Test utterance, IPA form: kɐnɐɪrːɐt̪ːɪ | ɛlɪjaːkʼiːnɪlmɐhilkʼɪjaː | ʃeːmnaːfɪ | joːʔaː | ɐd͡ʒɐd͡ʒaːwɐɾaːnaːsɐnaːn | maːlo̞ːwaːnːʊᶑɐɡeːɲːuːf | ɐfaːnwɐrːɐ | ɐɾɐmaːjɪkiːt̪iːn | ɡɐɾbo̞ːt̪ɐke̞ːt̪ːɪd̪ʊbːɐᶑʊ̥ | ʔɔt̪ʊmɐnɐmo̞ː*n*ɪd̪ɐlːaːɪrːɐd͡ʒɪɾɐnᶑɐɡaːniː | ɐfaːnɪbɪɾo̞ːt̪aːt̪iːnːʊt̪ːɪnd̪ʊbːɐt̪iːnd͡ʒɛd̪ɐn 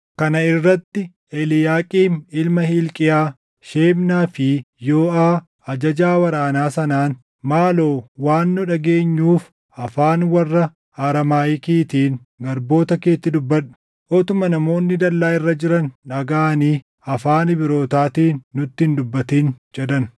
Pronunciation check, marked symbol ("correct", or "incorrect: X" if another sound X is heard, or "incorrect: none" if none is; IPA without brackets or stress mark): incorrect: nː